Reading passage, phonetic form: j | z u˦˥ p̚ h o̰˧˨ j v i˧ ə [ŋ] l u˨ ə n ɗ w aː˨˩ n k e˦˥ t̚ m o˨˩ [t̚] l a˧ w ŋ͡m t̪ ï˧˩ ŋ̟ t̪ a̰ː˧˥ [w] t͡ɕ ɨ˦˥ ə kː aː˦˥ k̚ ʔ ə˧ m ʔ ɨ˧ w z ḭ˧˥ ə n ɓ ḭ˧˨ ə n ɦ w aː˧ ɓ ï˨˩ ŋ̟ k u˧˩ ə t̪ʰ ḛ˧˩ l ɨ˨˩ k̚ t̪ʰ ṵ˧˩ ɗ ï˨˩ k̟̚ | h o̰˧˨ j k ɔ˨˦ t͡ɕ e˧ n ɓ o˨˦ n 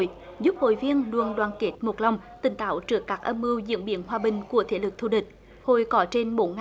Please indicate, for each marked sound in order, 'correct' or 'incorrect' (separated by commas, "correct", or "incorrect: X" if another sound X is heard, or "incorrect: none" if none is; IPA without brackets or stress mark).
incorrect: n, correct, correct